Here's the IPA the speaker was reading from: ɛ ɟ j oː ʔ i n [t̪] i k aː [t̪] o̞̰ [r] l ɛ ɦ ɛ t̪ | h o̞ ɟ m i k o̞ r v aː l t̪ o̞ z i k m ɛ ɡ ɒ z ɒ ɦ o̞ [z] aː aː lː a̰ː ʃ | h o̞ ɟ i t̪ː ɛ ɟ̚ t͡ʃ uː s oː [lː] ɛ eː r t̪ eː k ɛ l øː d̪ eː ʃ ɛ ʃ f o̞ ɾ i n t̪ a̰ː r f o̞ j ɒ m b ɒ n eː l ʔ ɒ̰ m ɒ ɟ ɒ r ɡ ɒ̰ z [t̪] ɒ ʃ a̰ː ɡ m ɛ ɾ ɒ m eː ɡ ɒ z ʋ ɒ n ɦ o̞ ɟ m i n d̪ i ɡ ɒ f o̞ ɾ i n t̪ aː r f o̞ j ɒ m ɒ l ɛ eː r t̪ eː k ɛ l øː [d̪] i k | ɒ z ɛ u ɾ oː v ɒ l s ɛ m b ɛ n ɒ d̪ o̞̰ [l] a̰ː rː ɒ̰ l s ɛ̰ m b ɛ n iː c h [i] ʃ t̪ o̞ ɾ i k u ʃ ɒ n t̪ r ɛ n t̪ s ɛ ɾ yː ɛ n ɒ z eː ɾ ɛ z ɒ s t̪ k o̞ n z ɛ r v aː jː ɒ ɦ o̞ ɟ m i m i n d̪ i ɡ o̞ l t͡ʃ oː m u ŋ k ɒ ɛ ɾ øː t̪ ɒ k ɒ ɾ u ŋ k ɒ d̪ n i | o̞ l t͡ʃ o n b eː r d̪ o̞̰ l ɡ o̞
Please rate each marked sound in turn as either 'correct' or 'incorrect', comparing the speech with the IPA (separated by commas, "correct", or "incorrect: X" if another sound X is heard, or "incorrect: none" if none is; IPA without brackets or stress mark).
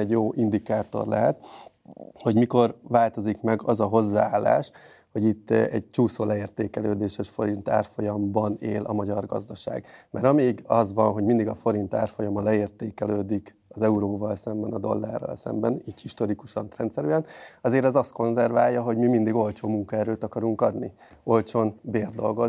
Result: incorrect: d̪, correct, correct, incorrect: zː, incorrect: l, incorrect: d̪, correct, incorrect: lː, correct